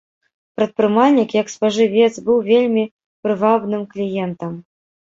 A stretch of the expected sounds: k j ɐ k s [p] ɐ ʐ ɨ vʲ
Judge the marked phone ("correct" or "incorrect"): correct